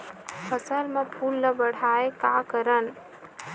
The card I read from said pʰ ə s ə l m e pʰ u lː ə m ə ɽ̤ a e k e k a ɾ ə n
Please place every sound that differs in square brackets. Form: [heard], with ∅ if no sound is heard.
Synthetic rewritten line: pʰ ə s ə l m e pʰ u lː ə [b] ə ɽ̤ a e k [a] k [ə] ɾ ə n